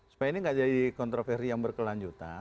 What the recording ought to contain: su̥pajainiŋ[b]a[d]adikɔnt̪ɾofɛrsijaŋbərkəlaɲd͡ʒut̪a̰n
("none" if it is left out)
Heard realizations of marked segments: ɡ, d͡ʒ

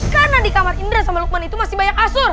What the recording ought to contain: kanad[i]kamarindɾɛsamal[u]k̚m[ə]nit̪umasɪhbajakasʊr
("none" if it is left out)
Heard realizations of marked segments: i, u, a

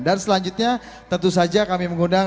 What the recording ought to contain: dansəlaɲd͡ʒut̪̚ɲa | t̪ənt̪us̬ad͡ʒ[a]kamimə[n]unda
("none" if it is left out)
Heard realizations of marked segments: a, ŋ

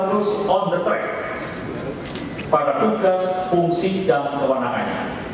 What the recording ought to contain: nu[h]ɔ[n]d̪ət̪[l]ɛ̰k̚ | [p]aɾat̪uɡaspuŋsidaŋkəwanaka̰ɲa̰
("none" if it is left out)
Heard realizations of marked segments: s, n, ɾ, p

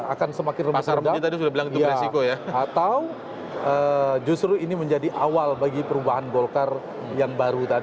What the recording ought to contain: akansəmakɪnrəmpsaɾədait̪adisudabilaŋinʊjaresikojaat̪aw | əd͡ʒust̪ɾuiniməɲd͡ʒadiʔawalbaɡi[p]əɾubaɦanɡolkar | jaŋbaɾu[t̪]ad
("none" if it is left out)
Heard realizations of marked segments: p, t̪

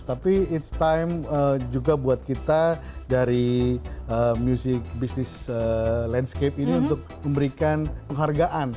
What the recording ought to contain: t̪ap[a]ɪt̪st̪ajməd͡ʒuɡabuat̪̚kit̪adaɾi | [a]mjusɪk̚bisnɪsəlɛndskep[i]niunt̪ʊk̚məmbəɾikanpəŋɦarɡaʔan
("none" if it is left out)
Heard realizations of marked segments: i, ə, i

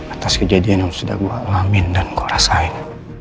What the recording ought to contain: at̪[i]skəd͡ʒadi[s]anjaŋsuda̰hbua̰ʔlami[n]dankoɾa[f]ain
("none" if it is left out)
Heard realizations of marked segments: a, none, n, s

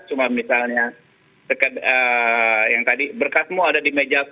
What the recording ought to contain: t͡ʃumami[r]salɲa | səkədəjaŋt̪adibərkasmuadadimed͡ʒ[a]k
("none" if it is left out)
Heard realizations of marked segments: none, a

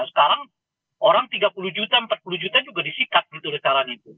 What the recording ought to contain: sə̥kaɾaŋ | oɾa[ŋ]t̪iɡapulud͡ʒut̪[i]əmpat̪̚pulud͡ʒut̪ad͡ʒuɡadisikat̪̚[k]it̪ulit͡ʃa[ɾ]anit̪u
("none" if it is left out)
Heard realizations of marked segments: ŋ, a, ɡ, ɾ

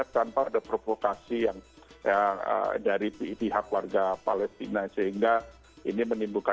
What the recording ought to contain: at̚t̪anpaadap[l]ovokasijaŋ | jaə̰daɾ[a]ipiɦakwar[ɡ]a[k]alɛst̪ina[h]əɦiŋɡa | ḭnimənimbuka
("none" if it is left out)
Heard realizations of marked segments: ɾ, i, ɡ, p, s

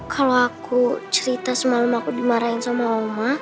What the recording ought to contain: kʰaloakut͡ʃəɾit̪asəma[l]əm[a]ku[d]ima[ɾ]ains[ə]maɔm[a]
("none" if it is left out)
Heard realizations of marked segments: l, a, d, ɾ, a, a

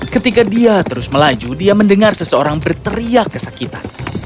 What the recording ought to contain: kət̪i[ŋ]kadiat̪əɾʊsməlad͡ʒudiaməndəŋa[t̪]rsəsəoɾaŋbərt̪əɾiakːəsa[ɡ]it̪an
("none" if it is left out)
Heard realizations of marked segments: none, none, k

